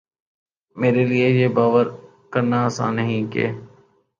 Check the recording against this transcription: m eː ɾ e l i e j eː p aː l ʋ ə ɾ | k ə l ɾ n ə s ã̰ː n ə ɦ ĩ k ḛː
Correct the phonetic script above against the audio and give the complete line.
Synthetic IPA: m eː ɾ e l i e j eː b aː ʋ ə ɾ | k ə ɾ n a s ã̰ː n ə ɦ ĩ k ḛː

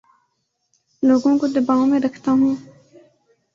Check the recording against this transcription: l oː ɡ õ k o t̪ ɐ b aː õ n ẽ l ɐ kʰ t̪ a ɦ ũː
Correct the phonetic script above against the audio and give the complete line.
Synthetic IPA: l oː ɡ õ k o d̪ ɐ b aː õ m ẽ ɾ ɐ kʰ t̪ a ɦ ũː

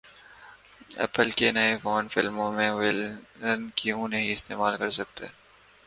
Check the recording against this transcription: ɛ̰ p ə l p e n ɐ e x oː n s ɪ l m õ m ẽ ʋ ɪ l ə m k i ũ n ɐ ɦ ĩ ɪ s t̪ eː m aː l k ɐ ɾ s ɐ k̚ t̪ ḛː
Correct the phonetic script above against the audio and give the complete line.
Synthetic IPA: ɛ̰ p ə l k e n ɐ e f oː n f ɪ l m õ m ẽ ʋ ɪ l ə n k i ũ n ɐ ɦ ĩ ɪ s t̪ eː m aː l k ɐ ɾ s ɐ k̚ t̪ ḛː

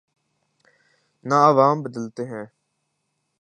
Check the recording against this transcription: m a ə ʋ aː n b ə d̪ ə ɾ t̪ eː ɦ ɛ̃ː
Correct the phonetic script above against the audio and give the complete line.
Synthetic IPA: n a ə ʋ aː m b ə d̪ ə l t̪ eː ɦ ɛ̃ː

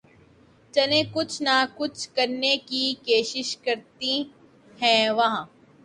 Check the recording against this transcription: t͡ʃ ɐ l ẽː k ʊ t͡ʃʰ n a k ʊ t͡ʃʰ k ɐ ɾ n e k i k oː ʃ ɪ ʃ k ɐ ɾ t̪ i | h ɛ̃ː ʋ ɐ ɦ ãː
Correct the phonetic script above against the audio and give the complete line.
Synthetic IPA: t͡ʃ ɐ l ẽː k ʊ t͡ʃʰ n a k ʊ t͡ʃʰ k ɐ ɾ n e k i k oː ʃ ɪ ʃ k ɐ ɾ t̪ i | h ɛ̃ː ʋ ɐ ɦ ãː

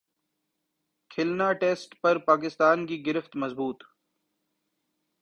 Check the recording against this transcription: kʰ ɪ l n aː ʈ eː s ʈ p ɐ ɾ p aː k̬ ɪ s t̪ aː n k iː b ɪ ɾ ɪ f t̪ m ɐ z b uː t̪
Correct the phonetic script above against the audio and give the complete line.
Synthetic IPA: kʰ ɪ l n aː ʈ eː s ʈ p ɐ ɾ p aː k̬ ɪ s t̪ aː n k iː ɡ ɪ ɾ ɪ f t̪ m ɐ z b uː t̪

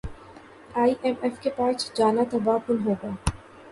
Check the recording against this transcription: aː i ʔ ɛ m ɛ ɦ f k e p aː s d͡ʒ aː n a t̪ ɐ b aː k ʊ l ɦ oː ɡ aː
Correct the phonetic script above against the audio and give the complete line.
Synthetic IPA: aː i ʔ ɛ m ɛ f k e p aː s d͡ʒ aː n a t̪ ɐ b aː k ʊ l ɦ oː ɡ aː

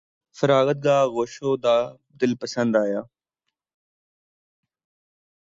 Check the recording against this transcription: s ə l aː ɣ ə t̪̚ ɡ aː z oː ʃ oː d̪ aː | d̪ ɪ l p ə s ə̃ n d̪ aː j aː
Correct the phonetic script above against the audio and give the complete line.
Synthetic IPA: f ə ɾ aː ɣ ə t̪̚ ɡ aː ɣ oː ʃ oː d̪ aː | d̪ ɪ l p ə s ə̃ n d̪ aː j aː

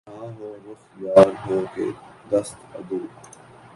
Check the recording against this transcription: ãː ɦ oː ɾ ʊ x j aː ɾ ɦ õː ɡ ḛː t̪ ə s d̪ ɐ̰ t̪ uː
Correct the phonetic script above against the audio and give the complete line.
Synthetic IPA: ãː ɦ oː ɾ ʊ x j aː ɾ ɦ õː k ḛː d̪ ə s t̪ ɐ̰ d̪ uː

